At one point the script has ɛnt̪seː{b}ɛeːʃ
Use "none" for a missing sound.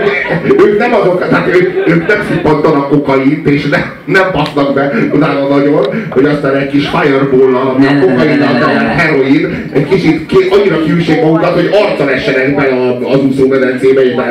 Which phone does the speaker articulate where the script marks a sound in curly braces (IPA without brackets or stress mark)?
b